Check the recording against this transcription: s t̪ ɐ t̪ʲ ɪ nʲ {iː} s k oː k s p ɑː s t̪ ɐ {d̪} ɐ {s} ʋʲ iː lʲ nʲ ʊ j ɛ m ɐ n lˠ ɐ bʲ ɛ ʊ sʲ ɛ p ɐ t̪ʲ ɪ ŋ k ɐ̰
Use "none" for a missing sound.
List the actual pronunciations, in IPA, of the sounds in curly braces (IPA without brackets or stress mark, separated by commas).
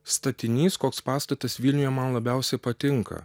iː, t̪, s